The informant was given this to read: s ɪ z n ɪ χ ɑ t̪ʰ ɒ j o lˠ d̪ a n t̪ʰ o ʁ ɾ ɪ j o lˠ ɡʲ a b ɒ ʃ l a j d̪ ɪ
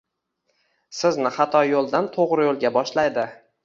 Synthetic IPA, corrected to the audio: s ɪ z n ɪ χ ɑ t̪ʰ ɒ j o lˠ d̪ a n t̪ʰ o ʁ ɾ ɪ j o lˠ ɡʲ a b ɒ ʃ l a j d̪ ɪ